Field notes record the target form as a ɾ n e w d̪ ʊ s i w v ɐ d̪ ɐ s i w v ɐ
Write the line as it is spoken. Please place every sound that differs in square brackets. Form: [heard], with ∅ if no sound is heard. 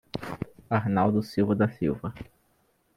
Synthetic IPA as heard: a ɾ n [a] w d̪ ʊ s i w v ɐ d̪ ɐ s i w v ɐ